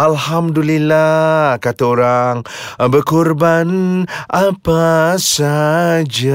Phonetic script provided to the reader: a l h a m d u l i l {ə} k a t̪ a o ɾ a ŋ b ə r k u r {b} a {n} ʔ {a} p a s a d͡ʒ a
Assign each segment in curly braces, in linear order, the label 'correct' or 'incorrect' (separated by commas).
incorrect, correct, correct, correct